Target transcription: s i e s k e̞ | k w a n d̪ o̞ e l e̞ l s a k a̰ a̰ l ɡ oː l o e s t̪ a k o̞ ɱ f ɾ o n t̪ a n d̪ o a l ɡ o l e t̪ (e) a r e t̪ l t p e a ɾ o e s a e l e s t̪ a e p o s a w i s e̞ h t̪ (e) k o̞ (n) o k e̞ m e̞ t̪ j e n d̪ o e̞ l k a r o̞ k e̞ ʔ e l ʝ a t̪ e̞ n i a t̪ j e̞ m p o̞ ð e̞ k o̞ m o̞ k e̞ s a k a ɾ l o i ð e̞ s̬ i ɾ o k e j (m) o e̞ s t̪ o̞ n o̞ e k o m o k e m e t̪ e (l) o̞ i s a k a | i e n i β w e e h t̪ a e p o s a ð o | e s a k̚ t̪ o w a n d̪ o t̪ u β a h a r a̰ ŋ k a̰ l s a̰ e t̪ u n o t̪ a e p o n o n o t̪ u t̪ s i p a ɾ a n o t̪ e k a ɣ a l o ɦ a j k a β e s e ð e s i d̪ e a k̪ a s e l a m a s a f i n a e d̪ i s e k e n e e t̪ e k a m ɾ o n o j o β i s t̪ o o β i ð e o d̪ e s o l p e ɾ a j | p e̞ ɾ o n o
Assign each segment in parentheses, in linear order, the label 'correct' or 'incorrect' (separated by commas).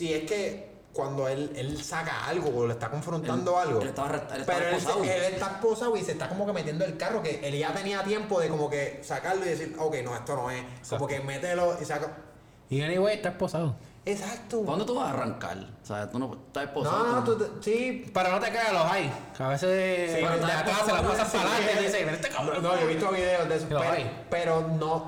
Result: incorrect, incorrect, incorrect, incorrect, correct